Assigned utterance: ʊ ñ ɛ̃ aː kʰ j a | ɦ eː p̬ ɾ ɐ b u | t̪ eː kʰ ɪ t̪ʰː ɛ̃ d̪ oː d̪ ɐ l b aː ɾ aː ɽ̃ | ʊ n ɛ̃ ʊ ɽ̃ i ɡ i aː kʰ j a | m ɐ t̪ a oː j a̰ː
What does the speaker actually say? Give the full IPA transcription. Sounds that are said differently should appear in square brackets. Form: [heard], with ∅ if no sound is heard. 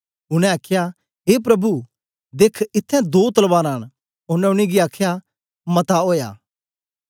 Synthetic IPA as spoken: ʊ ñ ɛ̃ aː kʰ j a | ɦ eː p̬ ɾ ɐ b u | [d̪] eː kʰ ɪ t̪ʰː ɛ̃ d̪ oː [t̪] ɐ l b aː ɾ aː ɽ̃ | ʊ n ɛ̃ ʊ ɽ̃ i ɡ i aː kʰ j a | m ɐ t̪ a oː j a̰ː